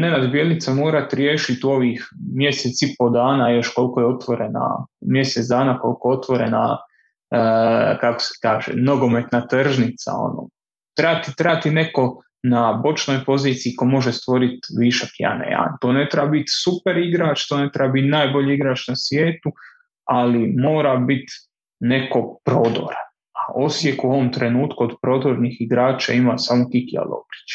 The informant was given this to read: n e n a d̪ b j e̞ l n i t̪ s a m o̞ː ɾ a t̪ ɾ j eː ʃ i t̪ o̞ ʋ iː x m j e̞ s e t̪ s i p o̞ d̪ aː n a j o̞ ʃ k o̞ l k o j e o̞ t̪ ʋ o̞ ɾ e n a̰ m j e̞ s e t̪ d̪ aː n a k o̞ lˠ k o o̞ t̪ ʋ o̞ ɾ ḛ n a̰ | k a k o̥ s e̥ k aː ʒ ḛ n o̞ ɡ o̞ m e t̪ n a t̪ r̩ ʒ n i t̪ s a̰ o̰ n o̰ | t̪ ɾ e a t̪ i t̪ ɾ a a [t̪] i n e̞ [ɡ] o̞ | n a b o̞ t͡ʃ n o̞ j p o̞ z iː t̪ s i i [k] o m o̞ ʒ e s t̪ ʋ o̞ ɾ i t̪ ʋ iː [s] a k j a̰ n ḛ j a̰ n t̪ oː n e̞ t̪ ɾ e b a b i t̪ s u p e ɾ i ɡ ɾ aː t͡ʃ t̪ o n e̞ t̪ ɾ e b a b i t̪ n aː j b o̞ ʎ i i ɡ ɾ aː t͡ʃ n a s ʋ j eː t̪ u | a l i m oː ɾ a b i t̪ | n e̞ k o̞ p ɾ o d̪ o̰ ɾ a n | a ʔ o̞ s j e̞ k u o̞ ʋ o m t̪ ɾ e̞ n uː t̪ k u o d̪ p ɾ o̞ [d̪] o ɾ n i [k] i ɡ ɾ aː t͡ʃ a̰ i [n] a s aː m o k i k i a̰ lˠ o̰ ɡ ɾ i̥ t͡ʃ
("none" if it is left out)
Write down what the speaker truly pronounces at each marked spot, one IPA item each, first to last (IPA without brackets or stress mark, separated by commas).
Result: t̪, k, k, ʃ, d̪, x, m